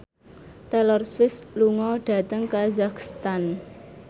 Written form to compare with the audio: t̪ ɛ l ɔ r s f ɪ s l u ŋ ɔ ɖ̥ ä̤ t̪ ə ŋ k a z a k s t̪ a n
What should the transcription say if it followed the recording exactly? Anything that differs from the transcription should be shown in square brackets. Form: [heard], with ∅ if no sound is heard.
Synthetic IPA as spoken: t̪ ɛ l ɔ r s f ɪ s l u ŋ ɔ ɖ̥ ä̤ t̪ ə ŋ k a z a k s t̪ a n